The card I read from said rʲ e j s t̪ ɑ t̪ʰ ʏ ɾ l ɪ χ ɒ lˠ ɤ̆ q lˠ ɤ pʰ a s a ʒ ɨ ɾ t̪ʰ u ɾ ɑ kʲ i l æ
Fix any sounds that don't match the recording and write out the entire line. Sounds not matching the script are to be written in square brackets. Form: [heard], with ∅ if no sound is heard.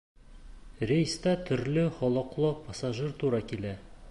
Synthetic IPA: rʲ e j s t̪ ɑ t̪ʰ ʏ ɾ l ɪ χ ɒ lˠ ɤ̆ q lˠ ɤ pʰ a s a ʒ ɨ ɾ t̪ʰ u ɾ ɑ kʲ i l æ